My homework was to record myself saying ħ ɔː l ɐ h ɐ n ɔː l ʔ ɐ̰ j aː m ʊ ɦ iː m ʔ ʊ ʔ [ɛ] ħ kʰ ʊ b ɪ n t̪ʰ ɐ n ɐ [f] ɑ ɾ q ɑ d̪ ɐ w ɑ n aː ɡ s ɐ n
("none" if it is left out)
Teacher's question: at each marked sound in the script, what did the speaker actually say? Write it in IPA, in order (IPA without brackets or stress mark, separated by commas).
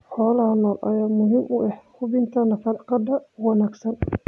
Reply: ɛ, f